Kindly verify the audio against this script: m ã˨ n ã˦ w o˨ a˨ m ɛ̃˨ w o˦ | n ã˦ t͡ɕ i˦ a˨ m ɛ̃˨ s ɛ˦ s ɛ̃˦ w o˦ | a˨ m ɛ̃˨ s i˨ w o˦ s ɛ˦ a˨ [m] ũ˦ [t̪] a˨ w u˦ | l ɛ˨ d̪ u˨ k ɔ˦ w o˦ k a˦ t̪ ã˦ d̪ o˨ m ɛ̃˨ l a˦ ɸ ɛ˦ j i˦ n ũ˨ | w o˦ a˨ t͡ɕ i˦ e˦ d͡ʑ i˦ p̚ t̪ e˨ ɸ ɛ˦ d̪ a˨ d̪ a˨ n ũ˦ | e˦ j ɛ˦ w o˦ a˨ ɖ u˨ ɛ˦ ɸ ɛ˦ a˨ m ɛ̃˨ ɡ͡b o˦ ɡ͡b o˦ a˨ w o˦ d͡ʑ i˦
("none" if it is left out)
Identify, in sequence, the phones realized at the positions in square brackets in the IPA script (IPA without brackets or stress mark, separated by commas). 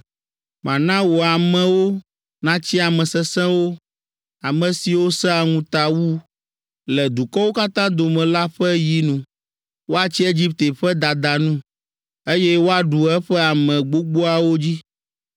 ŋ, t̪